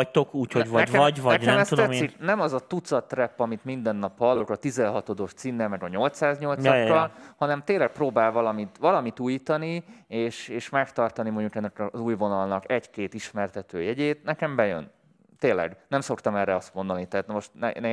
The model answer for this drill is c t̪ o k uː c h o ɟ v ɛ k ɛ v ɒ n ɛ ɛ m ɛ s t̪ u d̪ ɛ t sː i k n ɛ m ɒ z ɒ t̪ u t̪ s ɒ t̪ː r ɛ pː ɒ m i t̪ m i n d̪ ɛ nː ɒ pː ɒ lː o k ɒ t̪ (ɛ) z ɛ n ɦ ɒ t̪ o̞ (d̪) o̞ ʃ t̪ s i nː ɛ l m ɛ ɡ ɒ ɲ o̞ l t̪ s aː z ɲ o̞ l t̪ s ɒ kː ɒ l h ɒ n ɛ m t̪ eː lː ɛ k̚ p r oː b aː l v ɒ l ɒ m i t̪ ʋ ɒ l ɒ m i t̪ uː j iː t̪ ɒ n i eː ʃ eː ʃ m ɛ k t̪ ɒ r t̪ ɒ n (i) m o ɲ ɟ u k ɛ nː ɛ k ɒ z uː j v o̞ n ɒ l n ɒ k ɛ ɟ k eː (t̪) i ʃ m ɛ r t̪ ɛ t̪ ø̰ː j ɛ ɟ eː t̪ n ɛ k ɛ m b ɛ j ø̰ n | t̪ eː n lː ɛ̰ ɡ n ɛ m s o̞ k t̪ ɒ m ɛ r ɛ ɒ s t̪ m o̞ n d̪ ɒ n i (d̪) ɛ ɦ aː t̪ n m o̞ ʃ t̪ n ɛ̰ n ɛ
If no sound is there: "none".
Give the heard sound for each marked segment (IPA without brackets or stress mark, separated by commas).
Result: i, d̪, i, t̪, t̪